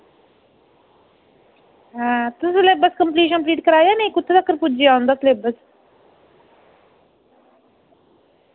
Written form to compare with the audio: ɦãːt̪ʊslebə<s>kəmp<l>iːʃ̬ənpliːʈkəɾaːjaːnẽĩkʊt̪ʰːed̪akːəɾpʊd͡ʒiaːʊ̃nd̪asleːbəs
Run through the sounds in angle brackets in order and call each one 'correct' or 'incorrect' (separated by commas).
correct, correct